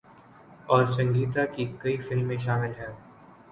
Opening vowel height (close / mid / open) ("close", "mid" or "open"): mid